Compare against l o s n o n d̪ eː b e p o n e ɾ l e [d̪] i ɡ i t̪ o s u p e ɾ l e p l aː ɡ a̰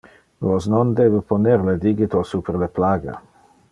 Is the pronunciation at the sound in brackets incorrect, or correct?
correct